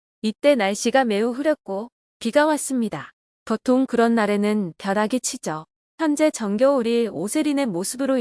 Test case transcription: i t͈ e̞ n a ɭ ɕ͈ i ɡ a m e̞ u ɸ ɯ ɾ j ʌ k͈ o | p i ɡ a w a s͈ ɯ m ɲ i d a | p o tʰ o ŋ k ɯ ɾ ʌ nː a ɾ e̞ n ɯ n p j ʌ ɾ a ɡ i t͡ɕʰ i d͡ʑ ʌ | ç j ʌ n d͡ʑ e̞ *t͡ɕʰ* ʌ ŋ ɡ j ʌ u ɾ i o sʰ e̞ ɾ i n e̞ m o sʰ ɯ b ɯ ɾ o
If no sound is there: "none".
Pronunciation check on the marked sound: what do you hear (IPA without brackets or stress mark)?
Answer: t͡ɕ